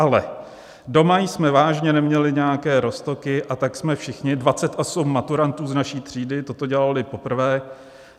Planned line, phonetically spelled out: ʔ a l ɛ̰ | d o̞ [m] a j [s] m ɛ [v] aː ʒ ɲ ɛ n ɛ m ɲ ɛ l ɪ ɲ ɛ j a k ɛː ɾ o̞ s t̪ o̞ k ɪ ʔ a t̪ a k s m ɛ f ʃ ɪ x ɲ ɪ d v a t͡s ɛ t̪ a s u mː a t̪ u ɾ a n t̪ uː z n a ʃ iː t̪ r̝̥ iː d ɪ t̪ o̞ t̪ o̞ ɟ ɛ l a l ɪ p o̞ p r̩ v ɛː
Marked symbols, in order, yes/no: yes, yes, yes

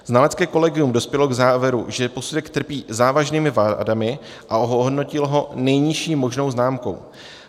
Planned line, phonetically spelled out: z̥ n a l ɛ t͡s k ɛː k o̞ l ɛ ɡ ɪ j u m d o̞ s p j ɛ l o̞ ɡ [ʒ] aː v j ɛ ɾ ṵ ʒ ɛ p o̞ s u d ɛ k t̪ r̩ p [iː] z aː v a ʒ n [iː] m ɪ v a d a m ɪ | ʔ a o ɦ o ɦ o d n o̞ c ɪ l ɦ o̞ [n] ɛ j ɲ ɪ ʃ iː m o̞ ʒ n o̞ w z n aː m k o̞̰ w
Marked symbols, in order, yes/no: no, yes, yes, yes

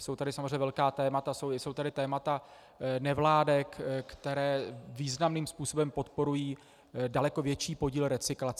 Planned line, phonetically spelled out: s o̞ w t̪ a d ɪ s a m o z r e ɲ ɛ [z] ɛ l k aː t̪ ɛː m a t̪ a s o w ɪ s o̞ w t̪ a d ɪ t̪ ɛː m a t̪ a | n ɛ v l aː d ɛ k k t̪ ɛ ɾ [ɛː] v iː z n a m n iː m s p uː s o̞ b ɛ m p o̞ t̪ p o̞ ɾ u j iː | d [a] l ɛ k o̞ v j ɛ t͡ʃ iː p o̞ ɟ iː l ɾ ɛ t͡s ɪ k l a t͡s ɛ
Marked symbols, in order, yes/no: no, yes, yes

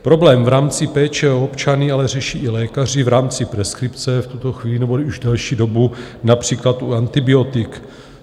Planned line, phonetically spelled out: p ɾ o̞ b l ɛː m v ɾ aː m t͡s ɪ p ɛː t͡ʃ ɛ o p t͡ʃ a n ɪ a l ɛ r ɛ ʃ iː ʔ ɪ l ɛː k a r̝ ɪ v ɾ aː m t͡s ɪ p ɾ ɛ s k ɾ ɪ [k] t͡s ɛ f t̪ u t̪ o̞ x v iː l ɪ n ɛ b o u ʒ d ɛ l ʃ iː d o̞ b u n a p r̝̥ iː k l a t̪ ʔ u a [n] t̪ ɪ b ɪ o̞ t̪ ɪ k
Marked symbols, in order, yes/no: no, yes

